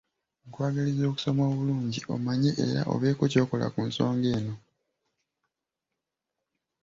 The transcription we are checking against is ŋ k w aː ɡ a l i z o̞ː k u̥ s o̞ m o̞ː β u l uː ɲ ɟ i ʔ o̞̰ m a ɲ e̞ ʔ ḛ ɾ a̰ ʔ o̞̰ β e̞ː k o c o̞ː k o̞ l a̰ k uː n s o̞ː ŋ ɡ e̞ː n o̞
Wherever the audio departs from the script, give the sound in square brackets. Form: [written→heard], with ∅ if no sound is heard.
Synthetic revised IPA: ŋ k w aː ɡ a l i z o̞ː k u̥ s o̞ m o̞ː β u l uː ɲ ɟ i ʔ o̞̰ m a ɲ e̞ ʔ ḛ ɾ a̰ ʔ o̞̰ β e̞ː k o c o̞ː k o̞ l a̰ k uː n s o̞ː ŋ ɡ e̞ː n o̞